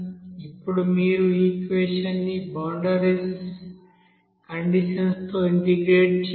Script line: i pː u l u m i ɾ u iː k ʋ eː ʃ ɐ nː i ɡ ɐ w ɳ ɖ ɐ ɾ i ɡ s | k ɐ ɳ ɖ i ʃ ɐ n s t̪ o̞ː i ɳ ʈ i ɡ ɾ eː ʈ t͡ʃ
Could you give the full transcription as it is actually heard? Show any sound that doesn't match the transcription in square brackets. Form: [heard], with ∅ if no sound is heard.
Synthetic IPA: i pː u [ɽ] u m [iː] ɾ u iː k ʋ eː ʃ ɐ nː i [b] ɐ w ɳ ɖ ɐ ɾ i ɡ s | k ɐ ɳ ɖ i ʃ ɐ n s t̪ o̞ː i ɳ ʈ i ɡ ɾ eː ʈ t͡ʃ

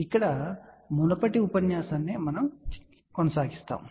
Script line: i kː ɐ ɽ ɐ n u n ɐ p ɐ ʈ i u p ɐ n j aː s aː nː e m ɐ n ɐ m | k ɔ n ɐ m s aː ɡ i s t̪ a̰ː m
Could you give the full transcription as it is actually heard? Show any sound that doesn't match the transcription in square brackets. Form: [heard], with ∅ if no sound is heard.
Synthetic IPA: i kː ɐ ɽ ɐ [m] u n ɐ p ɐ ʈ i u p ɐ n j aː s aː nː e m ɐ n ɐ m | k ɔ n ɐ [∅] s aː ɡ i s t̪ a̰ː m

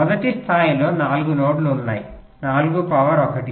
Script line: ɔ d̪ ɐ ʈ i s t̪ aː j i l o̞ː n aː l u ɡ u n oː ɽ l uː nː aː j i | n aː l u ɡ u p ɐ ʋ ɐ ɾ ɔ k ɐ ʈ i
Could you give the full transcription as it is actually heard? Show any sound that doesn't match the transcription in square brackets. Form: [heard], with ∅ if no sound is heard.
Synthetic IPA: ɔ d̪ ɐ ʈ i s [t̪ʰ] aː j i l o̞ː n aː l u ɡ u n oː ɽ l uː nː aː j i | n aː l u ɡ u p ɐ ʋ ɐ ɾ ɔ k ɐ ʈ i

